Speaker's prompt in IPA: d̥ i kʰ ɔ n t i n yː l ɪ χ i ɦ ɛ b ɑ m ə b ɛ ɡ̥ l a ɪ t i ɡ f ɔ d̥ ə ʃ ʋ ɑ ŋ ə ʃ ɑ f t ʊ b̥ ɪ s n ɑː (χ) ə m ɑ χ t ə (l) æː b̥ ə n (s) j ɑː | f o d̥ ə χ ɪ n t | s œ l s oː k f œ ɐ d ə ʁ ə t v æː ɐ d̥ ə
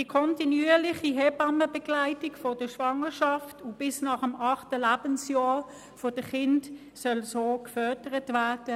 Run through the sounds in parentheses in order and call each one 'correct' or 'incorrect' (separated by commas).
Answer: correct, correct, correct